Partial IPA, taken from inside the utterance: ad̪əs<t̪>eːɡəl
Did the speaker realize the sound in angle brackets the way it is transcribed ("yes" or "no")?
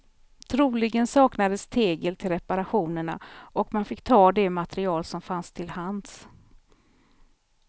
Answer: no